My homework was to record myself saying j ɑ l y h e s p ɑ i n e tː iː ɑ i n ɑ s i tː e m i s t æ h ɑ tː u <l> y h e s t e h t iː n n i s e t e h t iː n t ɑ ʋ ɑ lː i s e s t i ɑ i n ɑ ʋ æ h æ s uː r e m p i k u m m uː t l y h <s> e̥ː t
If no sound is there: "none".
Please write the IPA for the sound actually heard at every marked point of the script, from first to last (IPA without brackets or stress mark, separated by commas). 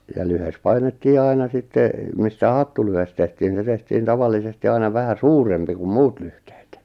l, t